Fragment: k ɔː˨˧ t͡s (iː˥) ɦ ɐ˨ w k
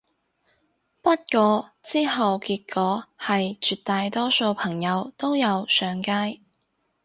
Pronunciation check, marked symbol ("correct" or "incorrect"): correct